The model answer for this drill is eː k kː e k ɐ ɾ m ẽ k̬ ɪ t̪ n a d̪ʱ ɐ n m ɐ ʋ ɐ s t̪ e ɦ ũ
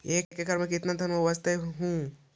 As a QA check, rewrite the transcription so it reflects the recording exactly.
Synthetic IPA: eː k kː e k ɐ ɾ m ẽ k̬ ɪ t̪ n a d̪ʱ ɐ n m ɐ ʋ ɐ s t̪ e ɦ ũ